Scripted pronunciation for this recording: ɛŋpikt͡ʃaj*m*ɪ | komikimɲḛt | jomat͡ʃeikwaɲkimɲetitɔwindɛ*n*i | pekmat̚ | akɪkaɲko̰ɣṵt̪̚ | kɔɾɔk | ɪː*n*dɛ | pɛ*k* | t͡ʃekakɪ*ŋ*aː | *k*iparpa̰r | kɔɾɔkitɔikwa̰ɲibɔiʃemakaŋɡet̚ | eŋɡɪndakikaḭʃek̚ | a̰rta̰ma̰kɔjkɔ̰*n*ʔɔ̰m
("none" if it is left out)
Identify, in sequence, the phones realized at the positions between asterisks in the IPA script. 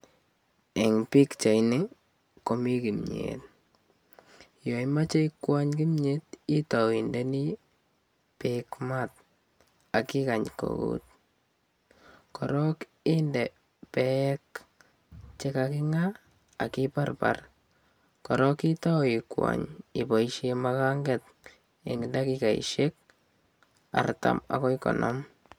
n, n, n, k, ŋ, k, n

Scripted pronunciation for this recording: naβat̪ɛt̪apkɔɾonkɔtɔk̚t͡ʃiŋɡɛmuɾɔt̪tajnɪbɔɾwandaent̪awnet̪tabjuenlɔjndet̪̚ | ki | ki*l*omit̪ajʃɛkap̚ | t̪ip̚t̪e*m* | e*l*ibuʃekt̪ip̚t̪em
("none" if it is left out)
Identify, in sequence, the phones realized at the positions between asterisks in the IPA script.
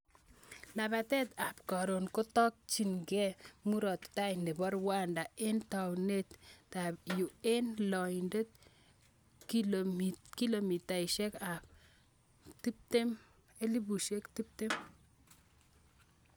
l, m, l

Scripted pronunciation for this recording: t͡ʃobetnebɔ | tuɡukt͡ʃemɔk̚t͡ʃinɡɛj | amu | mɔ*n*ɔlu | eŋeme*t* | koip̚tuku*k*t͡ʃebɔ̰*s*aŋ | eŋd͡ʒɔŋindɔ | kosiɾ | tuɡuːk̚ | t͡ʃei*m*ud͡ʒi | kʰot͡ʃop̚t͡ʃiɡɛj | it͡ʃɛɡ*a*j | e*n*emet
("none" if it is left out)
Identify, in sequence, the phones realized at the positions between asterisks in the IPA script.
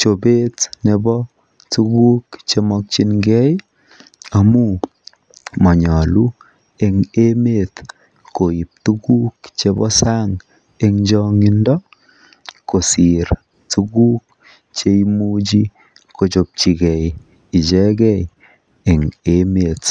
ɲ, t, k, s, m, ɛ, ŋ

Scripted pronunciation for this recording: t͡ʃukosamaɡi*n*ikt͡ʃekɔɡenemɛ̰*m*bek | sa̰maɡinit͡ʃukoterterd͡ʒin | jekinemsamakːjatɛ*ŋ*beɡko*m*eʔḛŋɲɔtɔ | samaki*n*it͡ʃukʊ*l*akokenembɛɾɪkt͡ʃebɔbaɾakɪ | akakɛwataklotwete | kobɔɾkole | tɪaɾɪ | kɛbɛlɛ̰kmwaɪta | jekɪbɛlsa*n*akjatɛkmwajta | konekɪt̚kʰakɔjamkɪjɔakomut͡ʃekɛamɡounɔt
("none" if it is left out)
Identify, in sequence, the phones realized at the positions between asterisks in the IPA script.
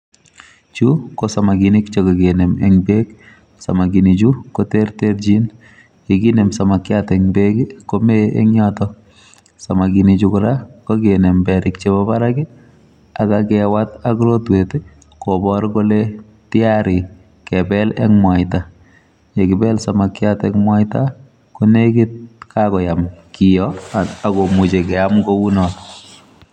n, ŋ, ŋ, m, n, ɾ, m

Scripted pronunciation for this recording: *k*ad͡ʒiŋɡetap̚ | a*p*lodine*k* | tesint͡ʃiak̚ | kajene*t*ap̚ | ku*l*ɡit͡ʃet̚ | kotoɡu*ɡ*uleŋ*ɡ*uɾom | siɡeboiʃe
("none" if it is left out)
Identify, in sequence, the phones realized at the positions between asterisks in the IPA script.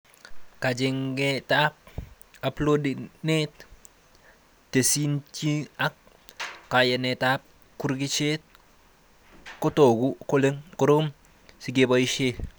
k, p, t, t, ɾ, k, k

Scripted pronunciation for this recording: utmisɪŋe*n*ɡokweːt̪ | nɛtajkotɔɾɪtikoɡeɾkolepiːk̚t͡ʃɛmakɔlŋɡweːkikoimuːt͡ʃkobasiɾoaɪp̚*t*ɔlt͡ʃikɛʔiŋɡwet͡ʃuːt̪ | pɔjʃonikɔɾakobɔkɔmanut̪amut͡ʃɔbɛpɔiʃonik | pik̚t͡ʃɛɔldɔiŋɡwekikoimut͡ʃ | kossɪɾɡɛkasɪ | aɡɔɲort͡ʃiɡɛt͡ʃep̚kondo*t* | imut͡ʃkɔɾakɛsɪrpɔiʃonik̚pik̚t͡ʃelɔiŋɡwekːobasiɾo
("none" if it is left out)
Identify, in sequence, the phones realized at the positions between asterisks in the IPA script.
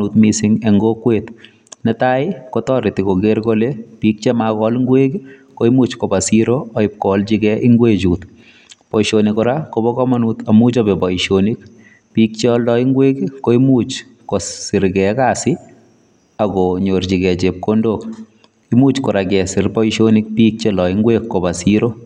ŋ, k, k

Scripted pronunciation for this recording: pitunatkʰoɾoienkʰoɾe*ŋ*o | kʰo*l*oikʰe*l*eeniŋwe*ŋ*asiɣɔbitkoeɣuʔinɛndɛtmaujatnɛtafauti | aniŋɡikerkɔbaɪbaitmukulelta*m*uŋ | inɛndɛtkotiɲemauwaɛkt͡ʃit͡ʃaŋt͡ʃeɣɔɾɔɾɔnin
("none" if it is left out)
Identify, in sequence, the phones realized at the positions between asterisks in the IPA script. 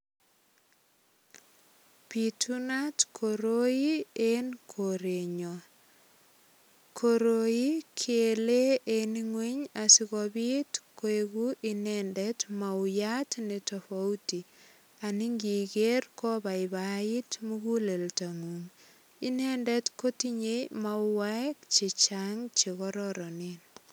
ɲ, ɾ, l, ɲ, ŋ

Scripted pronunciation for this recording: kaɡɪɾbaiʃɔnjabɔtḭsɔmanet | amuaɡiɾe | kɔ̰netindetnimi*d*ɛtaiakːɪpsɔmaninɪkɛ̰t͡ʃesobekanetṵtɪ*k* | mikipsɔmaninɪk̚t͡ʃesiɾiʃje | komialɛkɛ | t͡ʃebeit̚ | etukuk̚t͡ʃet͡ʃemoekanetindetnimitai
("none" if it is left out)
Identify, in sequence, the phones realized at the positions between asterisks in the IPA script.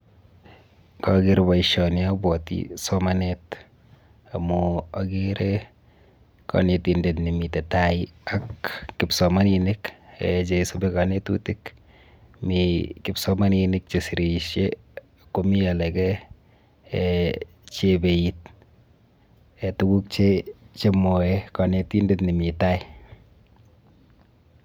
t, k

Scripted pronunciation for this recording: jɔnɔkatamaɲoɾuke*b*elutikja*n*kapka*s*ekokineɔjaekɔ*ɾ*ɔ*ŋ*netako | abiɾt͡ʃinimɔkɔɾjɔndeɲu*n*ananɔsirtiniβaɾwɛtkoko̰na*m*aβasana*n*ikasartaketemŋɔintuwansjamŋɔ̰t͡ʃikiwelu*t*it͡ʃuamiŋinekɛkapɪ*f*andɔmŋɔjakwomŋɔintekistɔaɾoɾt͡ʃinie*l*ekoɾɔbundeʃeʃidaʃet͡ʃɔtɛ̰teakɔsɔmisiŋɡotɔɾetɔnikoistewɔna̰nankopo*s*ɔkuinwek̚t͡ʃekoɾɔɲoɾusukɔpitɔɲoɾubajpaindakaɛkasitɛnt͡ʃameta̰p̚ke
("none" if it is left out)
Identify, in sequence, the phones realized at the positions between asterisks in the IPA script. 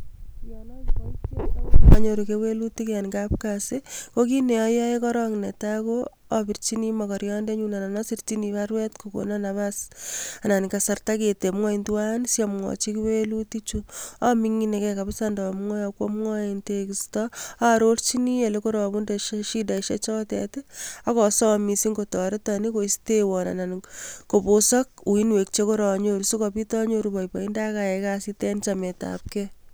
w, n, s, ɾ, ŋ, n, n, n, t, s, l, s

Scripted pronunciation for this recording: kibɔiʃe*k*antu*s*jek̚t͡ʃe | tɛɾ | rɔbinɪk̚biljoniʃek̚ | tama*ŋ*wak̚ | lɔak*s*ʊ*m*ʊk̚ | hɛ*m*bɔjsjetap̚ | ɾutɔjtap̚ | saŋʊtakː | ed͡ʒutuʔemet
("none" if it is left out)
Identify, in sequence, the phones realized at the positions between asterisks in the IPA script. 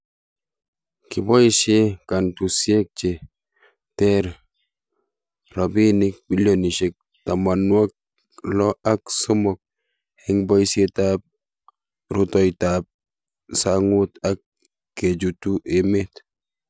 k, s, n, s, m, ŋ

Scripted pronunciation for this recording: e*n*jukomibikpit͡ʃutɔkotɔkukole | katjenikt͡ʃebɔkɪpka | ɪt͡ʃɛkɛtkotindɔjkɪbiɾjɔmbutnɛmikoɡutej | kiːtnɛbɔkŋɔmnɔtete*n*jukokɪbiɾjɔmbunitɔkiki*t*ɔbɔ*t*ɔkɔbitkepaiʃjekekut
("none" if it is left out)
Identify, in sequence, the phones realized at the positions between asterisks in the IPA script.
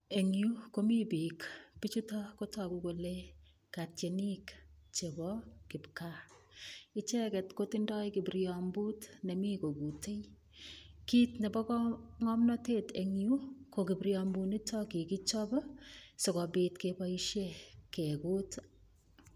ŋ, ŋ, t͡ʃ, s

